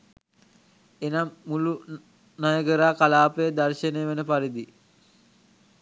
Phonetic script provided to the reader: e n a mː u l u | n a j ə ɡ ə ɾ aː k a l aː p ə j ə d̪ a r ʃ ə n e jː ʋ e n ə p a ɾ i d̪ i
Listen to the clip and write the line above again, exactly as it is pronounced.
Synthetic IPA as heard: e n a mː u l u | n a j ə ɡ ə ɾ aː k a l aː p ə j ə d̪ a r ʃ ə n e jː ʋ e n ə p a ɾ i d̪ i